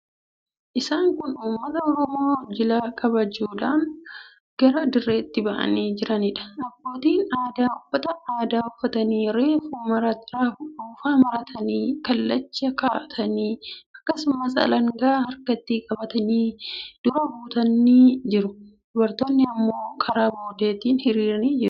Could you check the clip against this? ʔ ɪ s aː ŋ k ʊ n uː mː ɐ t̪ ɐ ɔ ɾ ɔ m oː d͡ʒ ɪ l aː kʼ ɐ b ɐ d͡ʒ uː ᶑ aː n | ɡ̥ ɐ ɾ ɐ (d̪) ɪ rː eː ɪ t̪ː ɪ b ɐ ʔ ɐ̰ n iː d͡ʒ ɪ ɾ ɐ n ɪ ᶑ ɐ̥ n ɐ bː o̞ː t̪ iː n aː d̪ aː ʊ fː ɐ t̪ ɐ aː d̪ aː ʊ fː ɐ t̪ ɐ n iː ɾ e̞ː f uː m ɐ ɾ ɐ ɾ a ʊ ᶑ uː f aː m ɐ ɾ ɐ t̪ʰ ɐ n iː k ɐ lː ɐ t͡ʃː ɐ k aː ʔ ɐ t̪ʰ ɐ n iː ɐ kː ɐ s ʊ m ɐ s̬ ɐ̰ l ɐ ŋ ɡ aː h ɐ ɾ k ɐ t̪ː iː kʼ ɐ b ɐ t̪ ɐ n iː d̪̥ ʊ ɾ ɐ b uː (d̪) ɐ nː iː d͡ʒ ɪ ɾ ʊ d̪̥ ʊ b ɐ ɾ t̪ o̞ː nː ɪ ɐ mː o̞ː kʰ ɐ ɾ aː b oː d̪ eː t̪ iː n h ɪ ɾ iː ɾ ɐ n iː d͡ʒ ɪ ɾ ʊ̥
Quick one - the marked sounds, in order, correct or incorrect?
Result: correct, incorrect

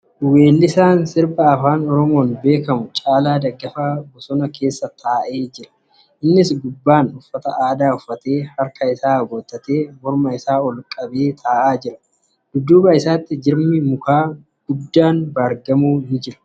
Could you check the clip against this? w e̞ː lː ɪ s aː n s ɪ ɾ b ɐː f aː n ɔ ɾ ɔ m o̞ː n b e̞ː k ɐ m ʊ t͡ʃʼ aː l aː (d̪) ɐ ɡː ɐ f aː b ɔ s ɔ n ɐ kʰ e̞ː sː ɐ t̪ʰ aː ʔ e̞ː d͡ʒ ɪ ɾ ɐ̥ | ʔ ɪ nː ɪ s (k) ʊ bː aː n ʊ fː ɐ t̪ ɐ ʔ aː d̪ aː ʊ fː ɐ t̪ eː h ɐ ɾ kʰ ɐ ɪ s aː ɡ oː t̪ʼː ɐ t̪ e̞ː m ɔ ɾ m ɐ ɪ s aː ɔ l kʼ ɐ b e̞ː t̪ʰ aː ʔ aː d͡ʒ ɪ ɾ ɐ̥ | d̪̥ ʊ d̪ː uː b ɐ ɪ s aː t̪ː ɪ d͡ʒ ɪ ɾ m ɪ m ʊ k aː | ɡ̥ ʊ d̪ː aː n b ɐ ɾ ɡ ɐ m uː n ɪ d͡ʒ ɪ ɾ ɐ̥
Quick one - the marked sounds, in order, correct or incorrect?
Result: correct, incorrect

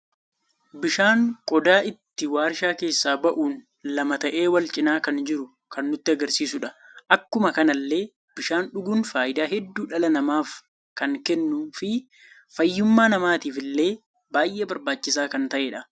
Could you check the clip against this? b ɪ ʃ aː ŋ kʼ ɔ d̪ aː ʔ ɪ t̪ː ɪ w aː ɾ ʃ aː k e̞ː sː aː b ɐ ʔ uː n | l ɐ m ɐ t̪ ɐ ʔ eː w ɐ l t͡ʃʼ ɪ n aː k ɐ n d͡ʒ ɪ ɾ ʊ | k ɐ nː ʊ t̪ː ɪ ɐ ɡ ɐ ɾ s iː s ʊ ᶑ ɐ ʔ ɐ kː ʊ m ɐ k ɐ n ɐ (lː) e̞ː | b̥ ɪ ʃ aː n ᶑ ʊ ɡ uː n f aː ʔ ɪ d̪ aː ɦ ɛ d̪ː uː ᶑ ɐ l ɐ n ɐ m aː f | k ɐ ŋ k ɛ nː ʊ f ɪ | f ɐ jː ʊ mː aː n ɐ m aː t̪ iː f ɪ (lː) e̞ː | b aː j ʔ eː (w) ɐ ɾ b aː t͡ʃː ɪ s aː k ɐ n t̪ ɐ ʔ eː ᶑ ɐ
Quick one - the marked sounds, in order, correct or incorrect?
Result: correct, correct, incorrect

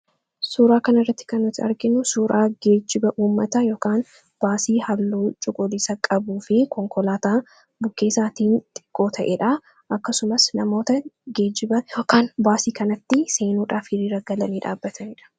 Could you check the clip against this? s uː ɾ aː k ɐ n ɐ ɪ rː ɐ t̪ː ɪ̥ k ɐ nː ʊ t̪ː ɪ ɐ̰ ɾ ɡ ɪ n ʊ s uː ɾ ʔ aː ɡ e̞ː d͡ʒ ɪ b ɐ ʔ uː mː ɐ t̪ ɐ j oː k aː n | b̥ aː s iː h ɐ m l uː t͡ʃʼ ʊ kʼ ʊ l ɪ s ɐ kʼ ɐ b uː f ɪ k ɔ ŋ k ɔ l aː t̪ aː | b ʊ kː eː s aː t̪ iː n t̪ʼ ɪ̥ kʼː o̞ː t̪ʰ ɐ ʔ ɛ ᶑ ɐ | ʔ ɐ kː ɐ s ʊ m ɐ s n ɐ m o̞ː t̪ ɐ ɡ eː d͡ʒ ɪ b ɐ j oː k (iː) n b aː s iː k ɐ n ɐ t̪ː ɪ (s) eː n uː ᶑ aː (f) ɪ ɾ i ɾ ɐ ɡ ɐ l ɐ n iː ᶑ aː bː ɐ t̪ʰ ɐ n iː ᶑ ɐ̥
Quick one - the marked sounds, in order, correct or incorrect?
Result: incorrect, correct, correct

